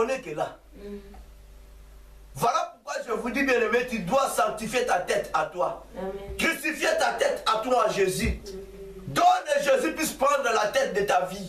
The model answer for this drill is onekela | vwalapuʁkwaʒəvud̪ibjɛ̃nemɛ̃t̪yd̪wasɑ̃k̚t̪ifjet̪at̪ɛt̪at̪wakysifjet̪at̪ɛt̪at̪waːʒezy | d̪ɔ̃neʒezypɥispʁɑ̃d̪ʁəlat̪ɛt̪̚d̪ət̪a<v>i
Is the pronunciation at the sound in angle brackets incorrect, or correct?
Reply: correct